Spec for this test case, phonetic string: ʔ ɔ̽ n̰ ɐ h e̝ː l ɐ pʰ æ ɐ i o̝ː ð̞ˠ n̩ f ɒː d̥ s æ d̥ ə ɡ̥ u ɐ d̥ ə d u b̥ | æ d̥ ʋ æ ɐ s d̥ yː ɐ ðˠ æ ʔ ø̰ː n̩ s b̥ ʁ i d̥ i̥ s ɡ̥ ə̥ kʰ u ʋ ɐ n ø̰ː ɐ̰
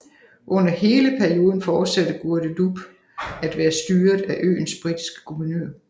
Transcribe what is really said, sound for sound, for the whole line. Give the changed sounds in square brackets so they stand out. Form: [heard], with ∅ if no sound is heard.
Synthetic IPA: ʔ ɔ̽ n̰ ɐ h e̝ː l [ə] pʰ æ ɐ i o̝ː ð̞ˠ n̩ f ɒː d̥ s æ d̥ ə ɡ̥ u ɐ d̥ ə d u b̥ | æ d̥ ʋ [æː] ɐ s d̥ yː ɐ ðˠ æ ʔ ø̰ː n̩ s b̥ ʁ i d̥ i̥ s ɡ̥ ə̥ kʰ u ʋ ɐ n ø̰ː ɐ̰